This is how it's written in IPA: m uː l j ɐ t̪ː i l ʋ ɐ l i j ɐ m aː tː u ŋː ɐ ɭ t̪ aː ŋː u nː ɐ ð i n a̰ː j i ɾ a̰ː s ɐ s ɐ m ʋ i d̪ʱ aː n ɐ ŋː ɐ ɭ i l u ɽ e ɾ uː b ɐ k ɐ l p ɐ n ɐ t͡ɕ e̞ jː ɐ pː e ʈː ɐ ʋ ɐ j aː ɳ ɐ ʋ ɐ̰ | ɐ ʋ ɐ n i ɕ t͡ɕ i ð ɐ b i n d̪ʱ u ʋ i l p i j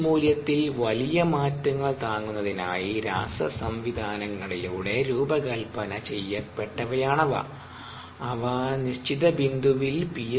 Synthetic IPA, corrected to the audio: m uː l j ɐ t̪ː i l ʋ ɐ l i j ɐ m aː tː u ŋː ɐ ɭ t̪ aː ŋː u nː ɐ ð i n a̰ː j i ɾ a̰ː s ɐ s ɐ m ʋ i d̪ʱ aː n ɐ ŋː ɐ ɭ i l uː ɽ e ɾ uː b ɐ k ɐ l p ɐ n ɐ t͡ɕ e̞ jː ɐ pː e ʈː ɐ ʋ ɐ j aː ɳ ɐ ʋ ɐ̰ | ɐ ʋ ɐ n i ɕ t͡ɕ i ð ɐ b i n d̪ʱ u ʋ i l p i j

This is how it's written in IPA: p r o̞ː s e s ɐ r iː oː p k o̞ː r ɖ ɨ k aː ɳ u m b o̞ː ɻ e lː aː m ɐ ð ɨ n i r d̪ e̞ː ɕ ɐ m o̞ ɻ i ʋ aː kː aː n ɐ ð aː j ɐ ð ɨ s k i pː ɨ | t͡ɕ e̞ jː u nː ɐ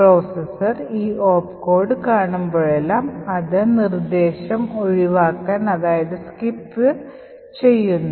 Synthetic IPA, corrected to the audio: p r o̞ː s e s ɐ r iː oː p k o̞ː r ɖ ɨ k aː ɳ u m b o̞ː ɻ e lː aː m ɐ ð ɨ n i r d̪ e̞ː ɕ ɐ m o̞ ɻ i ʋ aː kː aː n ɐ ð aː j ɐ ð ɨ s k i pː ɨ | t͡ɕ e̞ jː u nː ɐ

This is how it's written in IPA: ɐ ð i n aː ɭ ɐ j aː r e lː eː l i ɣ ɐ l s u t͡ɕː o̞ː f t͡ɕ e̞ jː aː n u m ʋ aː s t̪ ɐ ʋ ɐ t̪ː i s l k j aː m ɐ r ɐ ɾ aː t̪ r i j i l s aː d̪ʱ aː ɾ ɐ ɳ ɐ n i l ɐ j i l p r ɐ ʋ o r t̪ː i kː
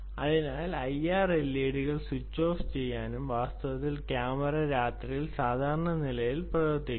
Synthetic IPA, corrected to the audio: ɐ ð i n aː l ɐ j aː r e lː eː ɽ i ɣ ɐ ɭ s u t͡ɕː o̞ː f t͡ɕ e̞ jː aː n u m ʋ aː s t̪ ɐ ʋ ɐ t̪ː i l k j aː m ɐ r ɐ ɾ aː t̪ r i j i l s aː d̪ʱ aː ɾ ɐ ɳ ɐ n i l ɐ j i l p r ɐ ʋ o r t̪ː i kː

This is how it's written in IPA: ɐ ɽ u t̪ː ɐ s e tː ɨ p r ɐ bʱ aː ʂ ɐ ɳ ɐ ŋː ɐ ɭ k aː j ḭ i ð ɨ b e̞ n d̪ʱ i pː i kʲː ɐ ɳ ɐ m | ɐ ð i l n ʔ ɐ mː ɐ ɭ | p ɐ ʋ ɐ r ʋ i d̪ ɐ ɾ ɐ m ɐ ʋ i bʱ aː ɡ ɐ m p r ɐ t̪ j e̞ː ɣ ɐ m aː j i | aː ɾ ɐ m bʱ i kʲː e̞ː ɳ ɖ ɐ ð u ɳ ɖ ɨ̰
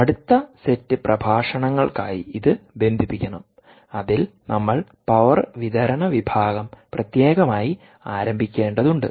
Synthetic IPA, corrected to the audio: ɐ ɽ u t̪ː ɐ s e tː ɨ p r ɐ bʱ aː ʂ ɐ ɳ ɐ ŋː ɐ ɭ k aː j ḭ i ð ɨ b e̞ n d̪ʱ i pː i kʲː ɐ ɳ ɐ m | ɐ ð i l n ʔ ɐ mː ɐ ɭ | p ɐ ʋ ɐ r ʋ i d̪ ɐ ɾ ɐ ɳ ɐ ʋ i bʱ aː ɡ ɐ m p r ɐ t̪ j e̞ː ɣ ɐ m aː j i | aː ɾ ɐ m bʱ i kʲː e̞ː ɳ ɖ ɐ ð u ɳ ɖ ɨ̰

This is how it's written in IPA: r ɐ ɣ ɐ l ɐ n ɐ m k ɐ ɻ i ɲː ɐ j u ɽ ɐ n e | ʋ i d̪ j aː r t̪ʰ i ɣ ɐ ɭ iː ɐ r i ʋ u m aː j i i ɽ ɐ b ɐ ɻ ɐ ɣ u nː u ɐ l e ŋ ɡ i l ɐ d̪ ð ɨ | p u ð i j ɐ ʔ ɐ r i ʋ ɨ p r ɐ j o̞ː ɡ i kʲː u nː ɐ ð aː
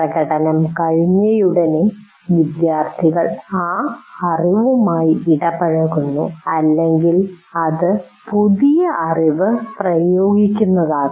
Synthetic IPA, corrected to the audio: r ɐ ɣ ɐ ɽ ɐ n ɐ m k ɐ ɻ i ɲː ɐ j u ɽ ɐ n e | ʋ i d̪ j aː r t̪ʰ i ɣ ɐ ɭ aː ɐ r i ʋ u m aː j i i ɽ ɐ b ɐ ɻ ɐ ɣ u nː u ɐ lː e ŋ ɡ i l ɐ ð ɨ | p u ð i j ɐ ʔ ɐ r i ʋ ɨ p r ɐ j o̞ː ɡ i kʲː u nː ɐ ð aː

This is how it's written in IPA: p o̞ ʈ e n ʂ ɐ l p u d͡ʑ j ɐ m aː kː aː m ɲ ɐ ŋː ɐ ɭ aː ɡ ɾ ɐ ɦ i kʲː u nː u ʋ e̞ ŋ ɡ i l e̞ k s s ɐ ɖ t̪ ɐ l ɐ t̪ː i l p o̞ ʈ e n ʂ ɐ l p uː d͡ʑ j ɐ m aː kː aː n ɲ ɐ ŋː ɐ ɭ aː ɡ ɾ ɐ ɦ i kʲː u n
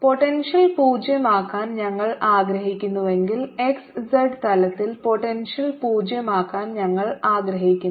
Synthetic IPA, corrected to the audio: p o̞ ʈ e n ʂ ɐ l p uː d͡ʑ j ɐ m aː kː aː n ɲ ɐ ŋː ɐ ɭ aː ɡ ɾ ɐ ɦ i kʲː u nː u ʋ e̞ ŋ ɡ i l e̞ k s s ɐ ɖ t̪ ɐ l ɐ t̪ː i l p o̞ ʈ e n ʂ ɐ l p uː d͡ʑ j ɐ m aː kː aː n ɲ ɐ ŋː ɐ ɭ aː ɡ ɾ ɐ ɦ i kʲː u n

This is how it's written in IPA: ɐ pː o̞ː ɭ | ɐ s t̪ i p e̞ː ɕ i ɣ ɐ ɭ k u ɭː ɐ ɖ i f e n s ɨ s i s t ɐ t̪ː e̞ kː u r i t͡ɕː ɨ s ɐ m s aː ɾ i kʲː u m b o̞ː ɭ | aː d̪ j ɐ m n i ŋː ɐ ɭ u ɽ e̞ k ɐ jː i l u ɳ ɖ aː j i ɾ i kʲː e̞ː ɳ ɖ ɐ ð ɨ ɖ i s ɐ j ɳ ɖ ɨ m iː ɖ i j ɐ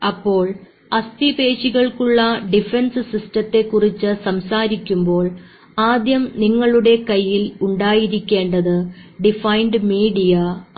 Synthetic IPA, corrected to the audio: ɐ pː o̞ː ɭ | ɐ s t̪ i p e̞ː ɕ i ɣ ɐ ɭ k u ɭː ɐ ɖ i f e n s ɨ s i s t ɐ t̪ː e̞ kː u r i t͡ɕː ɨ s ɐ m s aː ɾ i kʲː u m b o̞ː ɭ | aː d̪ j ɐ m n i ŋː ɐ ɭ u ɽ e̞ k ɐ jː i l u ɳ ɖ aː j i ɾ i kʲː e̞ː ɳ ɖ ɐ ð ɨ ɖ i f ɐ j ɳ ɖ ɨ m iː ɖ i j ɐ

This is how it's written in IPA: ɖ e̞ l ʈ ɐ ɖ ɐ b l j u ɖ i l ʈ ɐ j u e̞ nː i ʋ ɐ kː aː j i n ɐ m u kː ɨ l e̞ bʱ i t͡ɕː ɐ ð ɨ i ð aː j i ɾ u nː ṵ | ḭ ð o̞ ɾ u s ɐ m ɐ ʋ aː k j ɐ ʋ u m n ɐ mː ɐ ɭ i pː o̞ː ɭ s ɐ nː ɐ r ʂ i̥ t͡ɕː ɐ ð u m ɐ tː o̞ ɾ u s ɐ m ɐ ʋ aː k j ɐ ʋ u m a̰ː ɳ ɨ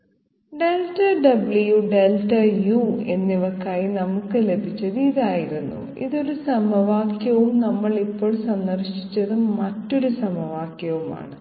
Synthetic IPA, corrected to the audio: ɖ e̞ l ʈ ɐ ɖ ɐ b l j u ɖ e l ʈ ɐ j u e̞ nː i ʋ ɐ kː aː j i n ɐ m u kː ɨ l e̞ bʱ i t͡ɕː ɐ ð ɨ i ð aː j i ɾ u nː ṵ | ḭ ð o̞ ɾ u s ɐ m ɐ ʋ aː k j ɐ ʋ u m n ɐ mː ɐ ɭ i pː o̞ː ɭ s ɐ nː ɐ r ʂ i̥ t͡ɕː ɐ ð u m ɐ tː o̞ ɾ u s ɐ m ɐ ʋ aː k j ɐ ʋ u m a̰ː ɳ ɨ

